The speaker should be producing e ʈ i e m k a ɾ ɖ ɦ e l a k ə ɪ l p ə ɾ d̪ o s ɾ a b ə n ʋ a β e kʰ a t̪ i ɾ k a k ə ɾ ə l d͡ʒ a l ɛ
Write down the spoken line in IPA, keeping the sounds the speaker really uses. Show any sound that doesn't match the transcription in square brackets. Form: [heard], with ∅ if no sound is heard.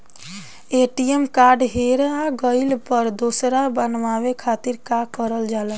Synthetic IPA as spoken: e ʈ i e m k a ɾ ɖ ɦ e [ɾ] a [ɡ] ə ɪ l p ə ɾ d̪ o s ɾ a b ə n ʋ a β e kʰ a t̪ i ɾ k a k ə ɾ ə l d͡ʒ a l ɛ